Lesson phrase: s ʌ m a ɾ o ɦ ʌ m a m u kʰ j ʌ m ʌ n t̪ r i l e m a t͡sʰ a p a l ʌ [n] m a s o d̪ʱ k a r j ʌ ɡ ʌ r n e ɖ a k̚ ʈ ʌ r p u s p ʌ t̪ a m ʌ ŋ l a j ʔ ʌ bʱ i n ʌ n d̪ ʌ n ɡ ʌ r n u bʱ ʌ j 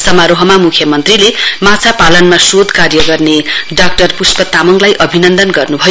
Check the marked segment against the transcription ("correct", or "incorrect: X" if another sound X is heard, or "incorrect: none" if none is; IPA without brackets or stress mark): correct